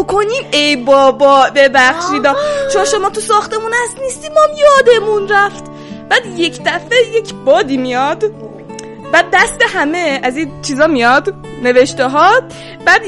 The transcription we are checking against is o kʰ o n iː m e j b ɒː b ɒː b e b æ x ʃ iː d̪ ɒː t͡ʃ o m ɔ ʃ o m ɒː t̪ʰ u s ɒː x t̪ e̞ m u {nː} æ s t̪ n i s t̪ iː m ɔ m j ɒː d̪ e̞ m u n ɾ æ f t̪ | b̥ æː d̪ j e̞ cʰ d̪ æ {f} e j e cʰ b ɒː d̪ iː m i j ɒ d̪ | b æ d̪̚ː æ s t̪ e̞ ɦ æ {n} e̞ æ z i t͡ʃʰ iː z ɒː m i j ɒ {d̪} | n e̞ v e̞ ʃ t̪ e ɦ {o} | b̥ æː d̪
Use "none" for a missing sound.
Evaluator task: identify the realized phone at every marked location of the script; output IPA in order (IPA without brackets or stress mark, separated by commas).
n, f, m, d̪, ɒ